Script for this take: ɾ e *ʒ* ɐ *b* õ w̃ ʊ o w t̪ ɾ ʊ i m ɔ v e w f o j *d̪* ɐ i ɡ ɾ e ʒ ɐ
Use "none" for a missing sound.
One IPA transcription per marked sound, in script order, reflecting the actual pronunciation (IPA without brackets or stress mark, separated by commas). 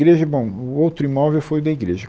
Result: ʒ, b, d̪